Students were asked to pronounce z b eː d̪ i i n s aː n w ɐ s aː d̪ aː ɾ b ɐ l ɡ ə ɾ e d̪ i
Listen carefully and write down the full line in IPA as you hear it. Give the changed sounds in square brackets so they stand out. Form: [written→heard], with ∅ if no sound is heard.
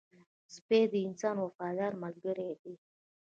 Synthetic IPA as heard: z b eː d̪ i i n s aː n w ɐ [s→f] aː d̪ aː ɾ [b→m] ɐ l ɡ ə ɾ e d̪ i